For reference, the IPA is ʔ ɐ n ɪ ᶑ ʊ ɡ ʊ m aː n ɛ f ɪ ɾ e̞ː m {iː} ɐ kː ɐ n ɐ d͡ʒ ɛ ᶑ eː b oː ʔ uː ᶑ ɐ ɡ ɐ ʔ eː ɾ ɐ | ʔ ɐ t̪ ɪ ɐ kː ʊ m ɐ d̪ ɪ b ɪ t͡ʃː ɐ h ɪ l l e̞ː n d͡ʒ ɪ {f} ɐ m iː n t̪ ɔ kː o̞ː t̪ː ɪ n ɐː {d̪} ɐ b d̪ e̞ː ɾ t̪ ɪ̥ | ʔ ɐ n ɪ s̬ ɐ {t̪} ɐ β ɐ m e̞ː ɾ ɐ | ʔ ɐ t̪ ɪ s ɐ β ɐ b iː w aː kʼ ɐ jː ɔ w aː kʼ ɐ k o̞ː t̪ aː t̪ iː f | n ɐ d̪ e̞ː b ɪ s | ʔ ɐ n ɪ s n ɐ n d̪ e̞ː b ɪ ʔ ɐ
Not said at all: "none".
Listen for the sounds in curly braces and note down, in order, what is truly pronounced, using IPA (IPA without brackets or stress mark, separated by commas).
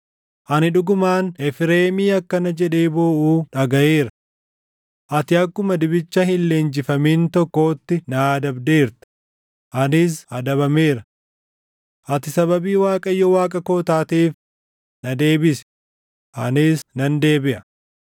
iː, f, d̪, d̪